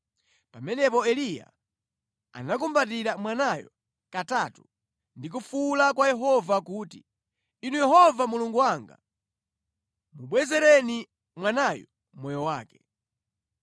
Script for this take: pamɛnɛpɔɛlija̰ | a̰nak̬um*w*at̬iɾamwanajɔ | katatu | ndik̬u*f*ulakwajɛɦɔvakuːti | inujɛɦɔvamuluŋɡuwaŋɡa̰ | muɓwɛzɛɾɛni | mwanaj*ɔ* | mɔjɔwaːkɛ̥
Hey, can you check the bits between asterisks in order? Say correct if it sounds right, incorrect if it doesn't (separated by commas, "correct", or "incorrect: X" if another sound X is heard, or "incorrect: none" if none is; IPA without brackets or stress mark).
incorrect: b, correct, correct